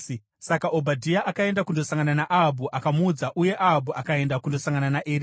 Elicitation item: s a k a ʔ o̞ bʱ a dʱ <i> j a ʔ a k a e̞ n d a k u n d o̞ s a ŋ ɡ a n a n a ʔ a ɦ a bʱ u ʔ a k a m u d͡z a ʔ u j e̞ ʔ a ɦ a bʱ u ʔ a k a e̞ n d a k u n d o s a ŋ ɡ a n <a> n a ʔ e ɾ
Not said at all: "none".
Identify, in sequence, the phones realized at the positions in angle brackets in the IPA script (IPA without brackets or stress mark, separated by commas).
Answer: i, a